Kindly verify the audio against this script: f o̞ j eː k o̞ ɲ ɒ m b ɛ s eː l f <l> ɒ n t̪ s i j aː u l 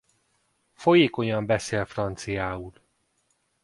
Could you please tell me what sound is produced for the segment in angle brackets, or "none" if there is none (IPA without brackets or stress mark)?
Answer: r